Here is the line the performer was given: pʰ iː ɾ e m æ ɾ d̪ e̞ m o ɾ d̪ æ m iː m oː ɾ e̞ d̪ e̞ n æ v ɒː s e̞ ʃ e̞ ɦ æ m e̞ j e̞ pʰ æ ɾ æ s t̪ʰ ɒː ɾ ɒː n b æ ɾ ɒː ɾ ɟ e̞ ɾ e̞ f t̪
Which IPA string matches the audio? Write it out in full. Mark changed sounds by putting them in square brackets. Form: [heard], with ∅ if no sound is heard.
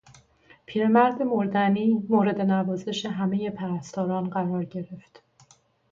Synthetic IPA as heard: pʰ iː ɾ e m æ ɾ d̪ e̞ m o ɾ d̪ æ [n] iː m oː ɾ e̞ d̪ e̞ n æ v ɒː [z] e̞ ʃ e̞ ɦ æ m e̞ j e̞ pʰ æ ɾ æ s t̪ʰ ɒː ɾ ɒː n [ɢ] æ ɾ ɒː ɾ ɟ e̞ ɾ e̞ f t̪